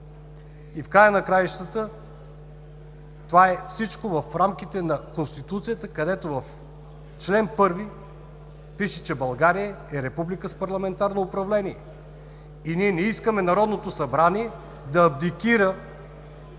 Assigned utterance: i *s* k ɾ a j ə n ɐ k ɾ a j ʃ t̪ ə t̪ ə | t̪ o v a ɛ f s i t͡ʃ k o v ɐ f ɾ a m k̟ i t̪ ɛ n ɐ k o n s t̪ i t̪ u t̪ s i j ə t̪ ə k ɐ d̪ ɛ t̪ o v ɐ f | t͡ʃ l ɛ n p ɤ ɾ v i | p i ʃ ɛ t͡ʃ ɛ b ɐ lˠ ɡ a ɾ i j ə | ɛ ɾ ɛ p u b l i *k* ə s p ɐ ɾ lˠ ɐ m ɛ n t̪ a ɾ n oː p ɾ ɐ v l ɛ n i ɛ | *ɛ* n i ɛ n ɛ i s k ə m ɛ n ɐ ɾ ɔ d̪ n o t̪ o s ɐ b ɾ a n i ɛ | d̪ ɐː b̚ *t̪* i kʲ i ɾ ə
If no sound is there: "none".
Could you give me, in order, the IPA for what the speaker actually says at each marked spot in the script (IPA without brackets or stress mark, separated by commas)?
f, k, i, d̪